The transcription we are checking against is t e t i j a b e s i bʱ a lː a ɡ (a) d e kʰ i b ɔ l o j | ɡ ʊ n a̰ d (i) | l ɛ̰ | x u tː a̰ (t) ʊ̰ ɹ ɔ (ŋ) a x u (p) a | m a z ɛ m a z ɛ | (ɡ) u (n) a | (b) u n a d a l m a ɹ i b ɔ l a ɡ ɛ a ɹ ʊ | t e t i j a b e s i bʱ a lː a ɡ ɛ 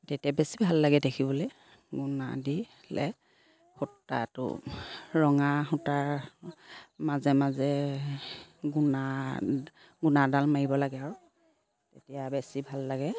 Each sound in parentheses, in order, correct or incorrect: incorrect, correct, correct, correct, incorrect, correct, correct, incorrect

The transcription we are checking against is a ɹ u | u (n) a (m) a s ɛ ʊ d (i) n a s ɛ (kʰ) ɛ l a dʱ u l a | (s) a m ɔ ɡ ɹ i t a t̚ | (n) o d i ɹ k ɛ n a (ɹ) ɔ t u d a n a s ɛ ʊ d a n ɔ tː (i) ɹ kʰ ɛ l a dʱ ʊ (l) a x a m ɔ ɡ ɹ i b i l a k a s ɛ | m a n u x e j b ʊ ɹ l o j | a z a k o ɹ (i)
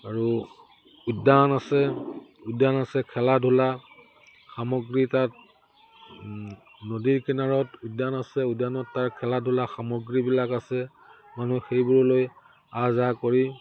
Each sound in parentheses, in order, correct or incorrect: incorrect, incorrect, incorrect, correct, incorrect, correct, correct, incorrect, correct, correct

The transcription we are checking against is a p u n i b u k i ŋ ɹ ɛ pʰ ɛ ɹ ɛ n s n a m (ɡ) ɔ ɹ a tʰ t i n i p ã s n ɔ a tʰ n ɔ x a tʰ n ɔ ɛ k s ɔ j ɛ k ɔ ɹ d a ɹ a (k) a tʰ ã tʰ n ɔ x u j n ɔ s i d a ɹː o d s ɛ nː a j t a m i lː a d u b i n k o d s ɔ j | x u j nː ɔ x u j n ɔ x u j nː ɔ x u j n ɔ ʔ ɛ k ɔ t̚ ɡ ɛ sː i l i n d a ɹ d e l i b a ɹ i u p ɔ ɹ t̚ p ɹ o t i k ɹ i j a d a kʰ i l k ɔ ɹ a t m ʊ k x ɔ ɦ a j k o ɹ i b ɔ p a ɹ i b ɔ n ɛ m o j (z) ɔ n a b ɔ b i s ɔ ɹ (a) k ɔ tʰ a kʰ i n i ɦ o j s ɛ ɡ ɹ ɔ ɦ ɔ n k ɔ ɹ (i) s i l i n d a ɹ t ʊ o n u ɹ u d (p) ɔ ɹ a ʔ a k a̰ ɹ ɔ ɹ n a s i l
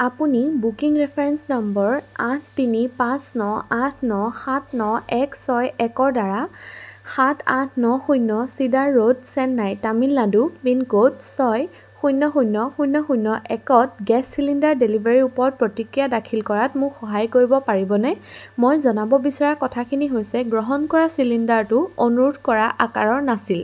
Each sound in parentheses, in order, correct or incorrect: incorrect, incorrect, correct, correct, incorrect, incorrect

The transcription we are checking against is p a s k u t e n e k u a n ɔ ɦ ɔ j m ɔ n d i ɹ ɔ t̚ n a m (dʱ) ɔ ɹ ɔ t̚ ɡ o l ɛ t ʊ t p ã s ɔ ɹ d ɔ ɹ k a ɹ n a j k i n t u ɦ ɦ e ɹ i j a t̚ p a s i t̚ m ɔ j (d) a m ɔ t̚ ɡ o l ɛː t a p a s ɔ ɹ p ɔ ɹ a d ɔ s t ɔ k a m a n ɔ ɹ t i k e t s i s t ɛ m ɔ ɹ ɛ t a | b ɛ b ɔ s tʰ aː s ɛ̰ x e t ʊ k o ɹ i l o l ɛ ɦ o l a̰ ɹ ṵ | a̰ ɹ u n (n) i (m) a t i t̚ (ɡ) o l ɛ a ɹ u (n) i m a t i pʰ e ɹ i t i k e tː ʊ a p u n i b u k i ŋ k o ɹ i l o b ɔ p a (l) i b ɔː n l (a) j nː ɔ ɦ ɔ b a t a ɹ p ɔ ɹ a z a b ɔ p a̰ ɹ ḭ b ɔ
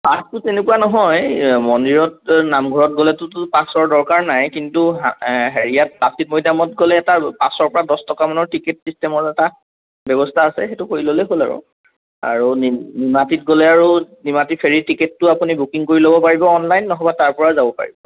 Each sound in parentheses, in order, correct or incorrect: incorrect, correct, correct, correct, correct, correct, incorrect, correct

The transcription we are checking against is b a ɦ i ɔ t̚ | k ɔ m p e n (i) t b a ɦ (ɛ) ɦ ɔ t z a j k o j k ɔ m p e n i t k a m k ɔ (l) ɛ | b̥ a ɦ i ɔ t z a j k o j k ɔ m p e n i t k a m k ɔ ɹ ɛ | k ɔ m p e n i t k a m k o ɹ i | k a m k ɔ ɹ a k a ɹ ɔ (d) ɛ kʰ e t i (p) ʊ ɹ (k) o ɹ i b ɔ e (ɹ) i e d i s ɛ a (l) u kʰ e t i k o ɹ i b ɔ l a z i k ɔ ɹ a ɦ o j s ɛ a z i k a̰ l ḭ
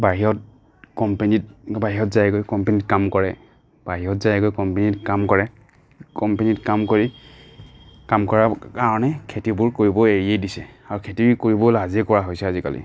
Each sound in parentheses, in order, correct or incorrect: correct, incorrect, incorrect, incorrect, incorrect, correct, correct, incorrect

